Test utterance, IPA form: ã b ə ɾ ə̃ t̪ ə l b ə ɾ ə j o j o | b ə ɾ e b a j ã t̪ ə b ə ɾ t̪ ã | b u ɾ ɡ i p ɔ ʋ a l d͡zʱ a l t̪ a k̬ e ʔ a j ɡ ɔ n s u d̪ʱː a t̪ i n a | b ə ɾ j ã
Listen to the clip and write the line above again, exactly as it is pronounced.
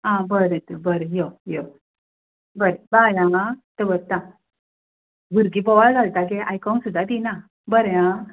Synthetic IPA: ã b ə ɾ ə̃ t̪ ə b ə ɾ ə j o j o | b ə ɾ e b a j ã t̪ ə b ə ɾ t̪ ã | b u ɾ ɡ i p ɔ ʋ a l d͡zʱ a l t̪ a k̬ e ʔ a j k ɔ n s u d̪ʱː a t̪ i n a | b ə ɾ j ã